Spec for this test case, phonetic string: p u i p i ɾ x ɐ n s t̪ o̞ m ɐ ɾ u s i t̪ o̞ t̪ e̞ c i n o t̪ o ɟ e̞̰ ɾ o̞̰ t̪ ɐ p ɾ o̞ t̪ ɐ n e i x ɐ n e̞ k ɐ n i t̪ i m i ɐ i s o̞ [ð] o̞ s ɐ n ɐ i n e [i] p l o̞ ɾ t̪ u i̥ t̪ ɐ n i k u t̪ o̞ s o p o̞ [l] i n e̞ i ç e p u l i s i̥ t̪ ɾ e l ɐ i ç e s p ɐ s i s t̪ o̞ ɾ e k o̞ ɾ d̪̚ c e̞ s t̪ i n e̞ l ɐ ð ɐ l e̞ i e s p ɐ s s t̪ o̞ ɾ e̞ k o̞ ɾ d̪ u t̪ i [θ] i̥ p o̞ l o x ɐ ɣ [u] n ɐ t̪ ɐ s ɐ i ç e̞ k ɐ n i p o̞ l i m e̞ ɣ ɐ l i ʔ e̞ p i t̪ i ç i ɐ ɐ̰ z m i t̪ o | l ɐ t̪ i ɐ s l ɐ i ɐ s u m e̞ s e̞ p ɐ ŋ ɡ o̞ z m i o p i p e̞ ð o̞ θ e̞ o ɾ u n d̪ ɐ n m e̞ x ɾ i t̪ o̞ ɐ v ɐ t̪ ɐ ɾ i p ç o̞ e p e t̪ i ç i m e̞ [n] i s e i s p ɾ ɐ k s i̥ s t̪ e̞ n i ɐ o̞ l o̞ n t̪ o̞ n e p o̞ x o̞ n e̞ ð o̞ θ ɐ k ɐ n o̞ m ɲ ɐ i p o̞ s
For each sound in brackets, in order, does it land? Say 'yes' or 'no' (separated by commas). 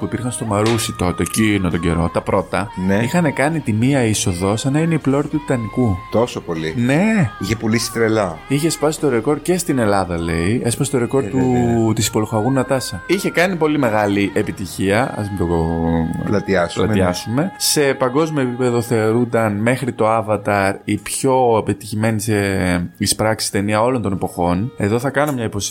yes, yes, yes, no, yes, yes